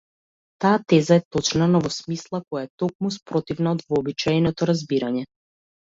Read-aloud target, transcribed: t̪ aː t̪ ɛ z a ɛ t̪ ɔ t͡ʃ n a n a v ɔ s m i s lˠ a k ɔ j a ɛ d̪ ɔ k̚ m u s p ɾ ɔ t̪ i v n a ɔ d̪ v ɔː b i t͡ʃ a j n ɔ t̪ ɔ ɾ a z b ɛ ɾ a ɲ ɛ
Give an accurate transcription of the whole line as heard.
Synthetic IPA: t̪ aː t̪ ɛ z a ɛ t̪ ɔ t͡ʃ n a n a v ɔ s m i s lˠ a k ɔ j a ɛ t̪ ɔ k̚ m u s p ɾ ɔ t̪ i v n a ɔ d̪ v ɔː b i t͡ʃ a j n ɔ t̪ ɔ ɾ a z b i ɾ a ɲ ɛ